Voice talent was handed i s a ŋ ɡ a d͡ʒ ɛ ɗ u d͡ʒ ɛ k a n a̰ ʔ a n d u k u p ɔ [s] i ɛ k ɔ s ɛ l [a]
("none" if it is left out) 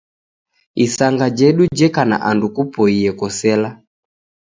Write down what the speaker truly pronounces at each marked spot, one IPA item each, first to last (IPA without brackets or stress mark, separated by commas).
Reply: none, a